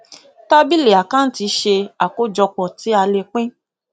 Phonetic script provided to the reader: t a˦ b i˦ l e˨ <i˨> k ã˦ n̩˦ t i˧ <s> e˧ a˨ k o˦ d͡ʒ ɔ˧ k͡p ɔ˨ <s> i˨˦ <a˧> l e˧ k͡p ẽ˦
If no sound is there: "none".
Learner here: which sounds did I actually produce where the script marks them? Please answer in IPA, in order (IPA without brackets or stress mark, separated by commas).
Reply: a˨, ʃ, t, a˧